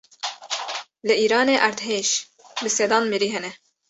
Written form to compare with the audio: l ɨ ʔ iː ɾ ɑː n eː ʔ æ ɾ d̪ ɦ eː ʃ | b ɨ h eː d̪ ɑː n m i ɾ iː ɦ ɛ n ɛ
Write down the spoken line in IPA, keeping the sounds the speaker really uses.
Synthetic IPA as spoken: l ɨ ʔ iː ɾ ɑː n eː ʔ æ ɾ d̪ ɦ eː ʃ | b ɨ s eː d̪ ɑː n m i ɾ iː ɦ ɛ n ɛ